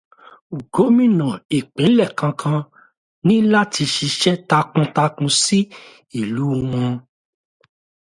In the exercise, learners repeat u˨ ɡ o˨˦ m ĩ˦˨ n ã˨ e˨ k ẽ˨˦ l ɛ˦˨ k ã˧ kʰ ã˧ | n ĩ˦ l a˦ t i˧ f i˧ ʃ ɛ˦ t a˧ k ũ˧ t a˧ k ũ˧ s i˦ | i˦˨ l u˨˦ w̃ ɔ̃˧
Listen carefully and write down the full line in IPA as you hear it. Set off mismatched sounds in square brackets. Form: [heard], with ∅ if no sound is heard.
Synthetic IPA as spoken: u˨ ɡ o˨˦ m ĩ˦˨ n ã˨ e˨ [k͡p] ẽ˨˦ l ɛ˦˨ k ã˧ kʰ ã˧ | n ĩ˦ l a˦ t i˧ [ʃ] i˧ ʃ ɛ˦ t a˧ k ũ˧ t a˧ k ũ˧ s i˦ | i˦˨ l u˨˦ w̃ ɔ̃˧